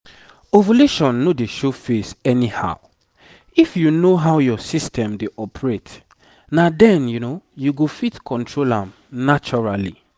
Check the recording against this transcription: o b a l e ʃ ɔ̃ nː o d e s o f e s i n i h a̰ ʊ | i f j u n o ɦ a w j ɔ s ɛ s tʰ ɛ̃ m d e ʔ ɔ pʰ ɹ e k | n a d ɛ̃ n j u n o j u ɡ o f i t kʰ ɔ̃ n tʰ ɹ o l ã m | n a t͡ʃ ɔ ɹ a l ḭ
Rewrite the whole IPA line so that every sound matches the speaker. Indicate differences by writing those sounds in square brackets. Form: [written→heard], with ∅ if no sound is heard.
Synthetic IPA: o [b→v] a l e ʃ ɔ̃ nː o d e [s→ʃ] o f e s [i→ɛ] n i h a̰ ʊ | i f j u n o ɦ a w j ɔ s [ɛ→i] s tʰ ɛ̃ m d e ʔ ɔ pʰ ɹ e [k→t] | n a d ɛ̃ n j u n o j u ɡ o f i t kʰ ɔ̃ n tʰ ɹ o l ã m | n a t͡ʃ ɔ ɹ a l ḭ